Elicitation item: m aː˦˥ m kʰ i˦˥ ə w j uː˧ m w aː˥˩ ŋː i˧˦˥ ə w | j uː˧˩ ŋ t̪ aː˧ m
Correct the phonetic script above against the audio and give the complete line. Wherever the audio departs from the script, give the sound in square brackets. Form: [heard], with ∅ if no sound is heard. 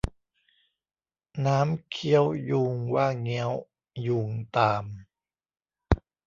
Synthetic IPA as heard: [n] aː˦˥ m kʰ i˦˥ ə w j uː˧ [ŋ] w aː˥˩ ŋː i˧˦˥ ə w | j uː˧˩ ŋ t̪ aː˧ m